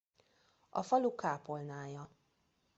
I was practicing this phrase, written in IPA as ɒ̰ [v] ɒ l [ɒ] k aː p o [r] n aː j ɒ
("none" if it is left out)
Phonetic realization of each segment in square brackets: f, u, l

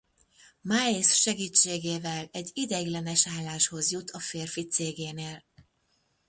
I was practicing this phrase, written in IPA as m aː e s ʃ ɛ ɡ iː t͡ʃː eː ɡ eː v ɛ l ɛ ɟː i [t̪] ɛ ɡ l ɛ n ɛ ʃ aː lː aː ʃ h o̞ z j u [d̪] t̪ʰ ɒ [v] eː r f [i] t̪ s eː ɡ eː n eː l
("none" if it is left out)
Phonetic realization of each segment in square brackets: d̪, none, f, i

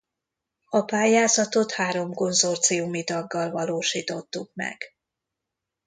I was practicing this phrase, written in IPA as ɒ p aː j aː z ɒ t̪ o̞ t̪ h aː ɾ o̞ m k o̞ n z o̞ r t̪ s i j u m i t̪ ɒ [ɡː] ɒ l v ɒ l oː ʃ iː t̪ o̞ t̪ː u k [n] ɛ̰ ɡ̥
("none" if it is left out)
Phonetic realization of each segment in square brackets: ɡː, m

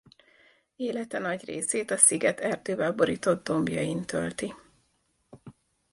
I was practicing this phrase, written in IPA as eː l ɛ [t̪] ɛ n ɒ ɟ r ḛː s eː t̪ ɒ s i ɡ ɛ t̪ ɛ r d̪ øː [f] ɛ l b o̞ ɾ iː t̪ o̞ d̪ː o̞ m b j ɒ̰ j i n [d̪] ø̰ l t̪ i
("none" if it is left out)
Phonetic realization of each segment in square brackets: t̪, v, t̪

